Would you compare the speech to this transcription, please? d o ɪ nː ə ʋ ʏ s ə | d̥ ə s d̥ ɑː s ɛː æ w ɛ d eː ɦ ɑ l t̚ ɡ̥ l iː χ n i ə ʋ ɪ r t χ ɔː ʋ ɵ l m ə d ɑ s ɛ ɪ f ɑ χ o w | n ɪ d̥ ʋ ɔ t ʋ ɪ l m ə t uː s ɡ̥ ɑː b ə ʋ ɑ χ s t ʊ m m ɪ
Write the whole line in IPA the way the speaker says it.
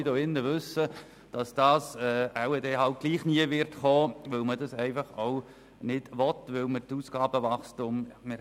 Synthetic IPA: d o ɪ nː ə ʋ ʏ s ə | d̥ ɑ s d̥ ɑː s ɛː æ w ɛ d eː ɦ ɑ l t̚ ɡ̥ l iː χ n i ə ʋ ɪ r t χ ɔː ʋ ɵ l m ə d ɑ s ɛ ɪ f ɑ χ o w | n ɪ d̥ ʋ ɔ t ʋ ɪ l m ə t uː s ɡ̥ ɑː b ə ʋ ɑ χ s t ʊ m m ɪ

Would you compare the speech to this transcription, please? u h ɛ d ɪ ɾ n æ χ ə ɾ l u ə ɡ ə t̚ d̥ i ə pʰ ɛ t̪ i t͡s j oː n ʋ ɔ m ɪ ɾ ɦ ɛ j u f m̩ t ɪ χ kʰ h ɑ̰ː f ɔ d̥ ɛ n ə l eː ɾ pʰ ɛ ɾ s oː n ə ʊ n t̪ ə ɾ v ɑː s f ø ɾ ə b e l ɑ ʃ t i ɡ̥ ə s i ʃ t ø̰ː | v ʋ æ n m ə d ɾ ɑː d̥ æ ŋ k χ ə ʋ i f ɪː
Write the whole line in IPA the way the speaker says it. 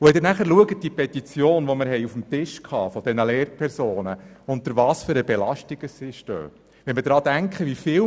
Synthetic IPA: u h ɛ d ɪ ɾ n æ χ ə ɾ l u ə ɡ ə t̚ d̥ i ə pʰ ɛ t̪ i t͡s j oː n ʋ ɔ m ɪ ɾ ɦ ɛ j u f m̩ t ɪ ʃ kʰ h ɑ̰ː f ɔ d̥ ɛ n ə l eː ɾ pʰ ɛ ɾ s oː n ə ʊ n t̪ ə ɾ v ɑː s f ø ɾ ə b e l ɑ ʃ t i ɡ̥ ə s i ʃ t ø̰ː | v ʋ ɛ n m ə d ɾ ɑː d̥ æ ŋ k χ ə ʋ i f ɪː

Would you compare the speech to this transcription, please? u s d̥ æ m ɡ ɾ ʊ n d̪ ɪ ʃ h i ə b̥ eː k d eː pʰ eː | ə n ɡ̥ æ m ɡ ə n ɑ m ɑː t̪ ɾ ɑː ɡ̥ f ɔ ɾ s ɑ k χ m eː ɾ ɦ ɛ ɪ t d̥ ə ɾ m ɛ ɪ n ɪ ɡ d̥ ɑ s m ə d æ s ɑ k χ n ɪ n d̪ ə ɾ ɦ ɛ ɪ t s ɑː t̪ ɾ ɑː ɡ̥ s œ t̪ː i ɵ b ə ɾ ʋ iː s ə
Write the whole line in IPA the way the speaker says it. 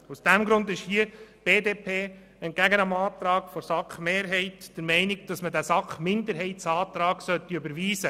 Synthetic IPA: u s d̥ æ m ɡ ɾ ʊ n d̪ ɪ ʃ h i ə b̥ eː d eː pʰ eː | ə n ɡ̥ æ ɡ ə n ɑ m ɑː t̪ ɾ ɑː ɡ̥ f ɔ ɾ s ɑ k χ m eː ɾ ɦ ɛ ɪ t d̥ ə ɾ m ɛ ɪ n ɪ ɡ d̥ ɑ s m ə d æ s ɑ k χ m ɪ n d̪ ə ɾ ɦ ɛ ɪ t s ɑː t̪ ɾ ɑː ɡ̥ s œ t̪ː i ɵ b ə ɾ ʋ iː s ə

